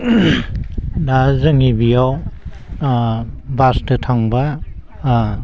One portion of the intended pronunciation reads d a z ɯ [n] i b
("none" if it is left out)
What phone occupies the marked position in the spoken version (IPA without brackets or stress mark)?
ŋ